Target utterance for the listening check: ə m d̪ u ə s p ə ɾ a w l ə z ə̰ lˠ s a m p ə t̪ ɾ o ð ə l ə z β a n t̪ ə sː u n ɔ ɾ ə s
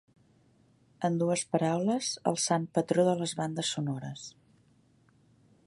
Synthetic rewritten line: ə n d̪ u ə s p ə ɾ a w l ə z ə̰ lˠ s a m p ə t̪ ɾ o ð ə l ə z β a n d̪ ə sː u n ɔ ɾ ə s